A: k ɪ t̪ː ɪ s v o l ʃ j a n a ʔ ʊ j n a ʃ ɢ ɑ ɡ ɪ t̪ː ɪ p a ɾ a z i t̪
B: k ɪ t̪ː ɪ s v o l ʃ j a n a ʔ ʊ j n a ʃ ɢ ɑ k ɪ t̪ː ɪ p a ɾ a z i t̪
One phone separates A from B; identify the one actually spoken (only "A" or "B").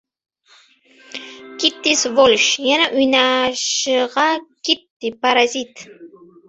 B